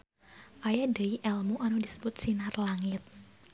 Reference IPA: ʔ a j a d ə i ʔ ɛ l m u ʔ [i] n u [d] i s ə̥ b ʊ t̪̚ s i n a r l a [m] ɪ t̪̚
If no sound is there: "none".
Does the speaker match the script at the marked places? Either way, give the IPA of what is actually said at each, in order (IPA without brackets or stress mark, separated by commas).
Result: a, d, ŋ